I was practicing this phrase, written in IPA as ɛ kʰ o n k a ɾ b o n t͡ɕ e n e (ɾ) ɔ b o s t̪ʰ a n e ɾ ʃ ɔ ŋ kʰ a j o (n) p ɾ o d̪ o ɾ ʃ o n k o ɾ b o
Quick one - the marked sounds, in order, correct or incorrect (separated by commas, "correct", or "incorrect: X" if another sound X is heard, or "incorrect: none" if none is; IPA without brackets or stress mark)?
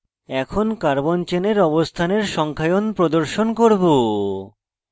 correct, correct